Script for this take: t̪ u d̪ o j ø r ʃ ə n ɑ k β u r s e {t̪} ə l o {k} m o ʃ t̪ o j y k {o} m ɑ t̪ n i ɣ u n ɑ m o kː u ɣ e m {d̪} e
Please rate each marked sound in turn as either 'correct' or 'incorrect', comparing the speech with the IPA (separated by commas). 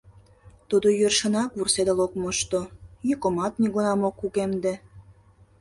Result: incorrect, correct, correct, correct